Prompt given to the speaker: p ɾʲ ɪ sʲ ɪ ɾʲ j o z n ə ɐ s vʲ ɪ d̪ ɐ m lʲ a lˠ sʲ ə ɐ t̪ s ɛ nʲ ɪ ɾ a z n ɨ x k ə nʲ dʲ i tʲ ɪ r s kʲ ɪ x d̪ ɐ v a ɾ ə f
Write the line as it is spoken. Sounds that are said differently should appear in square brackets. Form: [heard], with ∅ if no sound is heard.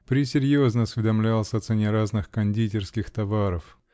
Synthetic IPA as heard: p ɾʲ ɪ sʲ ɪ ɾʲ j o z n ə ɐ s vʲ ɪ d̪ ɐ m lʲ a lˠ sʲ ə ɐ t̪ s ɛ nʲ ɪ ɾ a z n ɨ x k [ɐ] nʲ dʲ i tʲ ɪ r s kʲ ɪ x [t̪] ɐ v a ɾ ə f